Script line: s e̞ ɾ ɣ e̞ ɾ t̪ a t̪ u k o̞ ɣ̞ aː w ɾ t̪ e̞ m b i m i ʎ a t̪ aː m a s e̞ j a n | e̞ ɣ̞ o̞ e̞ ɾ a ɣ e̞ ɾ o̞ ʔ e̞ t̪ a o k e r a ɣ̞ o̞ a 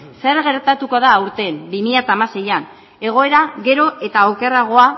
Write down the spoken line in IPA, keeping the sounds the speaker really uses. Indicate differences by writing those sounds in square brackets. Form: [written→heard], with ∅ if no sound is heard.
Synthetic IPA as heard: s e̞ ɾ ɣ e̞ ɾ t̪ a t̪ u k o̞ [ɣ̞→ð̞] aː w ɾ t̪ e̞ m b i m i ʎ a t̪ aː m a s e̞ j a n | e̞ ɣ̞ o̞ e̞ ɾ a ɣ e̞ ɾ o̞ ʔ e̞ t̪ a o k e r a ɣ̞ o̞ a